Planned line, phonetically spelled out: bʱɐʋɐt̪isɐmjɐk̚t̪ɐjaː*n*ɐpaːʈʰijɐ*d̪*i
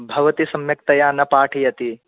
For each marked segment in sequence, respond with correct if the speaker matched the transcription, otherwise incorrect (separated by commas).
correct, incorrect